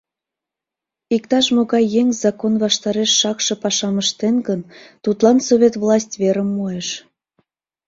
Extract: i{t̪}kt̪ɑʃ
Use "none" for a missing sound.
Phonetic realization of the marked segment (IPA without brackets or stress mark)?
none